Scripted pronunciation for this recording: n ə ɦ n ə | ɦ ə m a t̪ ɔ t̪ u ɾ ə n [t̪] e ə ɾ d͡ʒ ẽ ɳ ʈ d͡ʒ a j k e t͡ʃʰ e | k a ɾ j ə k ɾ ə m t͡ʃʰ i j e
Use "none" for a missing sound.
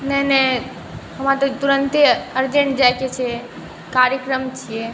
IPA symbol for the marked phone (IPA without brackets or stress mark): t̪